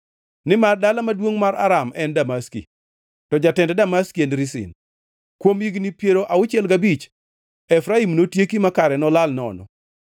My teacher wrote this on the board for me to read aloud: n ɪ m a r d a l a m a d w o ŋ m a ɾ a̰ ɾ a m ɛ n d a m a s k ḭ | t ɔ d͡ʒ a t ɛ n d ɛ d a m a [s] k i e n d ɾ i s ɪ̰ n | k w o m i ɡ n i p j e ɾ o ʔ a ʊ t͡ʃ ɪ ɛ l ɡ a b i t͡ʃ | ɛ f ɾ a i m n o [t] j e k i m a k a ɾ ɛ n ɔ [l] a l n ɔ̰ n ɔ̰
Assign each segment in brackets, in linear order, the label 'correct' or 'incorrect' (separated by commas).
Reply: correct, correct, correct